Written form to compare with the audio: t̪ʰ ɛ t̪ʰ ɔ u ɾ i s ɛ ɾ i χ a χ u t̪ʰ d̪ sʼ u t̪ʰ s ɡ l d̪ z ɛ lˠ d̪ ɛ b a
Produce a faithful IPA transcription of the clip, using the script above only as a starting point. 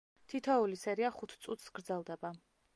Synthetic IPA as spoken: t̪ʰ i t̪ʰ ɔ u l i s ɛ ɾ i a χ u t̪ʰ t̪ sʼ u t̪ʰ s ɡ ɾ d̪ z ɛ lˠ d̪ ɛ b a